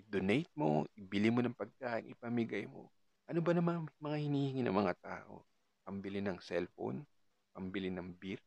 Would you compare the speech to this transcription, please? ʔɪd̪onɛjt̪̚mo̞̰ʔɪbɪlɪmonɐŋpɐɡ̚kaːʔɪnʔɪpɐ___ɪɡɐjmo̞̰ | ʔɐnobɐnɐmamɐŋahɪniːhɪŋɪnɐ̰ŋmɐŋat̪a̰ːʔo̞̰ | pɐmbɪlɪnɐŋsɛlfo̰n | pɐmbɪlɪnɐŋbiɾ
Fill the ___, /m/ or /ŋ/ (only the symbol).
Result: m